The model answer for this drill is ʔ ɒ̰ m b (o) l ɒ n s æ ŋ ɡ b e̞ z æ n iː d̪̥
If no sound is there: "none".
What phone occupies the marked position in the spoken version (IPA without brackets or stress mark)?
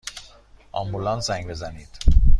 u